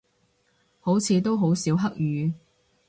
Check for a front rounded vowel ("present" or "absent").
present